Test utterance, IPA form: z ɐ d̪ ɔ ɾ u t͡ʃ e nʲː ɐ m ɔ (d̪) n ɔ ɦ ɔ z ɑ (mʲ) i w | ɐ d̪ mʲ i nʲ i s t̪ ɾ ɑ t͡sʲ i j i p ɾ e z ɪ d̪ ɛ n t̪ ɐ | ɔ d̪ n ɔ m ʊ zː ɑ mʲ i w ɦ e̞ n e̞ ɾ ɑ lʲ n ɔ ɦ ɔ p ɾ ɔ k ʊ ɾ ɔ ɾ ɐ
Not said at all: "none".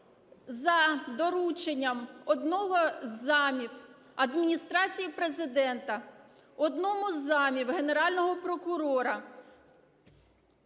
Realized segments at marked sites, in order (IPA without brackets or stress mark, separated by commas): d̪, mʲ